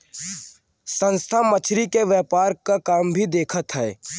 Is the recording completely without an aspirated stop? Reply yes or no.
no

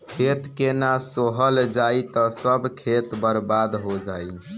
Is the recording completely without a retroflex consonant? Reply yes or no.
yes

